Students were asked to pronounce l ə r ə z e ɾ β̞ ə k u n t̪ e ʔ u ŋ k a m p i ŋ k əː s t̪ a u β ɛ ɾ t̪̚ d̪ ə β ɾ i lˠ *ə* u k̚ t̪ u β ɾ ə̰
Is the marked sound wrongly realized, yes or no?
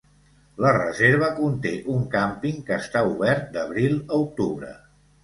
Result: no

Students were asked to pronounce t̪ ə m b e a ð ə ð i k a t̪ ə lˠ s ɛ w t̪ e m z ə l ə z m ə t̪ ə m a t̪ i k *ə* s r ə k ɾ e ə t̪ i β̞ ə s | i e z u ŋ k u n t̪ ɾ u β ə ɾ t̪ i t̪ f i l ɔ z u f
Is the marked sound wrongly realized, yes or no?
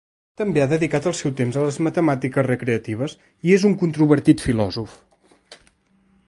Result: no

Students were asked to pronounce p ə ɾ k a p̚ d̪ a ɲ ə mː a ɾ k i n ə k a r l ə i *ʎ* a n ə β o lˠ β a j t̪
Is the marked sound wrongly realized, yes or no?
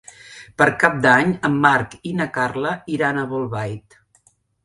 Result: yes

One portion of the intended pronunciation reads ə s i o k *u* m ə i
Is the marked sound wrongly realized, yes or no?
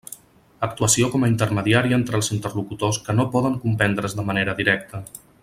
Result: yes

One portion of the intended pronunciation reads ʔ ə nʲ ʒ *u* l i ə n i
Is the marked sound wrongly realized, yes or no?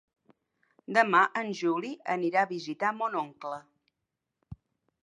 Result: no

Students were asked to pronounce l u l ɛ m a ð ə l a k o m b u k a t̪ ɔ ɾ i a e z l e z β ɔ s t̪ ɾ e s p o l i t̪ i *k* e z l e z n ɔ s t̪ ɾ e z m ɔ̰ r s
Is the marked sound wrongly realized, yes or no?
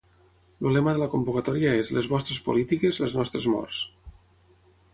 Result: no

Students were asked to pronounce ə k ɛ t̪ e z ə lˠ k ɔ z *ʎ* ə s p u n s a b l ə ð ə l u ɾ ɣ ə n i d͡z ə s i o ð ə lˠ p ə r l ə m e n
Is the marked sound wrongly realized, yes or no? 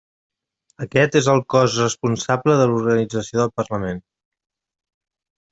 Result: yes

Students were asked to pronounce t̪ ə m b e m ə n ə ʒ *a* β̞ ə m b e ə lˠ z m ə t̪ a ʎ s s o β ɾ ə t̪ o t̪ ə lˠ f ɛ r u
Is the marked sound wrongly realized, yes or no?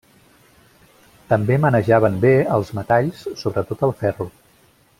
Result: no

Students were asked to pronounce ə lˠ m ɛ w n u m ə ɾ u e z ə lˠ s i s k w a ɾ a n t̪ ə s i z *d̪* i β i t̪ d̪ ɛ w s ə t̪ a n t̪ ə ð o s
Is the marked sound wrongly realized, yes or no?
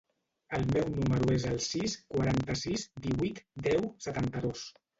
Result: no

